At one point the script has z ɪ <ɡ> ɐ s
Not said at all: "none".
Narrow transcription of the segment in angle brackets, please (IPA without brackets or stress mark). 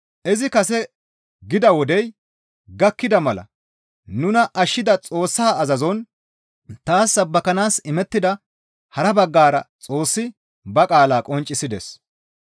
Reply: k